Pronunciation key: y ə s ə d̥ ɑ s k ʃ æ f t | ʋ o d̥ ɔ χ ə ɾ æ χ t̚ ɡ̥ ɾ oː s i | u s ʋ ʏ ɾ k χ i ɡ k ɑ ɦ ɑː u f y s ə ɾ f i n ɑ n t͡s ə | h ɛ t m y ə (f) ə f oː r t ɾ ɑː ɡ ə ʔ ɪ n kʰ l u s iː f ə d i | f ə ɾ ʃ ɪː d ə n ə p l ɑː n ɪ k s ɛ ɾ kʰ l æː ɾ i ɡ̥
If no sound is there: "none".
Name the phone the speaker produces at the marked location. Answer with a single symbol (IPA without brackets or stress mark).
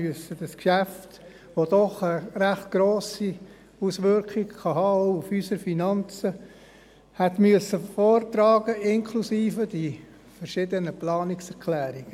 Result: s